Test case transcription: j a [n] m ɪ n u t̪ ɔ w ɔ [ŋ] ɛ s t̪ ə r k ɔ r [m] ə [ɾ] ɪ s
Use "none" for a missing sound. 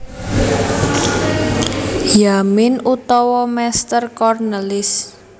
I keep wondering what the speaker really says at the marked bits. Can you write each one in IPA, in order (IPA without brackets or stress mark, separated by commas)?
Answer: none, m, n, l